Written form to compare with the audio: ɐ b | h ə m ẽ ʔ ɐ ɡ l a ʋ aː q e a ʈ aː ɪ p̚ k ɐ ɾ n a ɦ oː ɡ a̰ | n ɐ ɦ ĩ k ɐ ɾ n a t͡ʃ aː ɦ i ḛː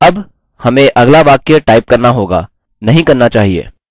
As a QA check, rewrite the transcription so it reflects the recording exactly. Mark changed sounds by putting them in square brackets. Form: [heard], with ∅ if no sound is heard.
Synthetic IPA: ɐ b | h [ɐ] m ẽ ʔ ɐ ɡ l a ʋ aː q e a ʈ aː ɪ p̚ k ɐ ɾ n a ɦ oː ɡ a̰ | n ɐ ɦ ĩ k ɐ ɾ n a t͡ʃ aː ɦ i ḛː